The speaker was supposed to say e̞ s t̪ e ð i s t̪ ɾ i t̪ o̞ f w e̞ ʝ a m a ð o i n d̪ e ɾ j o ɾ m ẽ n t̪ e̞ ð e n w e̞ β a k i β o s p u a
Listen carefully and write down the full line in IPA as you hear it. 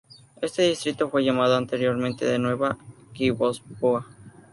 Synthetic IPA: e̞ s t̪ e ð i s t̪ ɾ i t̪ o̞ f w e̞ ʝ a m a ð o a n t̪ e ɾ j o ɾ m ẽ n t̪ e̞ ð e n w e̞ β a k i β o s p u a